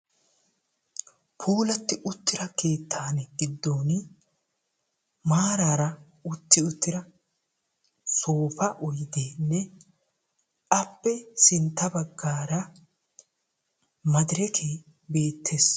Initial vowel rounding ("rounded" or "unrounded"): rounded